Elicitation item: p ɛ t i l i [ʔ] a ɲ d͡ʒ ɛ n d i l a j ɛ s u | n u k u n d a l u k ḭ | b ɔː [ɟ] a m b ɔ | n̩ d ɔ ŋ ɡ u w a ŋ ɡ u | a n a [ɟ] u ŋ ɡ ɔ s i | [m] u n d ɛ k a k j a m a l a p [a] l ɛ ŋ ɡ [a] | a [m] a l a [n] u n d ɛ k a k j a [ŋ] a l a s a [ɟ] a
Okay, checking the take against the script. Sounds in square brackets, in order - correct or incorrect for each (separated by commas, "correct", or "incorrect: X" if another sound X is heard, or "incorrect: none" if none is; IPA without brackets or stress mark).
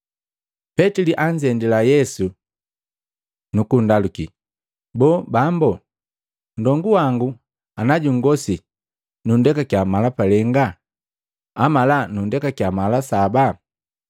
correct, incorrect: b, correct, incorrect: n, correct, correct, correct, correct, incorrect: m, incorrect: b